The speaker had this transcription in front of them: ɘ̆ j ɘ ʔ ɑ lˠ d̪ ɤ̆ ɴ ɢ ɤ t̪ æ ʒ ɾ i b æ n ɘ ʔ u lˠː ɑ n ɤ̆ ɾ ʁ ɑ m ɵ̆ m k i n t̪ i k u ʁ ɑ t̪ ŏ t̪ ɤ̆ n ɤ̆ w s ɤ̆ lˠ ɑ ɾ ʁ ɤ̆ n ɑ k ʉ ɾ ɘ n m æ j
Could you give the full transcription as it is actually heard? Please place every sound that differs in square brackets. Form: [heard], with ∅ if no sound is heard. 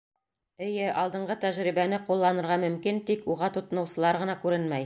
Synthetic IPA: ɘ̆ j ɘ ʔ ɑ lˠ d̪ ɤ̆ ɴ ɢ ɤ t̪ æ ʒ ɾ i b æ n ɘ [q] u lˠː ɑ n ɤ̆ ɾ ʁ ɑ m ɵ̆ m k i n t̪ i k u ʁ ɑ t̪ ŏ t̪ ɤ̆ n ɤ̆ w s ɤ̆ lˠ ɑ ɾ ʁ ɤ̆ n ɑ k ʉ ɾ ɘ n m æ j